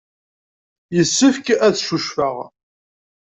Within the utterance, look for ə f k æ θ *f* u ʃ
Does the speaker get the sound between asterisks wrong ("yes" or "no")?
yes